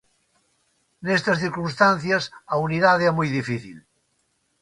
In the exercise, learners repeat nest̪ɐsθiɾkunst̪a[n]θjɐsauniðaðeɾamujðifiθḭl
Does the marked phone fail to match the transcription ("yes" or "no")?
no